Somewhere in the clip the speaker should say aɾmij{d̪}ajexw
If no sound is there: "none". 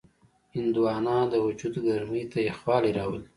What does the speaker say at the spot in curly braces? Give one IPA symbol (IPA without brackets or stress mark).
t̪